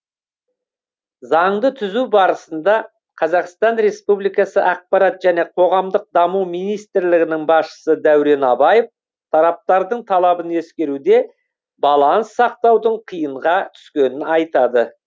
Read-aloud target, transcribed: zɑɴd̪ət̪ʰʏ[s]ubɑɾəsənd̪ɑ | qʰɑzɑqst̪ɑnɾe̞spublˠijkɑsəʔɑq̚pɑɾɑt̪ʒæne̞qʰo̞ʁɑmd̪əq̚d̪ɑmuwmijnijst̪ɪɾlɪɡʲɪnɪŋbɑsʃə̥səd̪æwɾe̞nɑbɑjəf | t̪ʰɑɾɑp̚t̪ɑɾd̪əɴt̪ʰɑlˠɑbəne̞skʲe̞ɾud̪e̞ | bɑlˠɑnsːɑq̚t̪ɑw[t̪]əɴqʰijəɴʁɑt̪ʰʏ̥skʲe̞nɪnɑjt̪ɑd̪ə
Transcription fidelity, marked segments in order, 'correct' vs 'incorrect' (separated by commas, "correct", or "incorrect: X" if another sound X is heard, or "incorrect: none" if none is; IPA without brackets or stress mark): incorrect: z, incorrect: d̪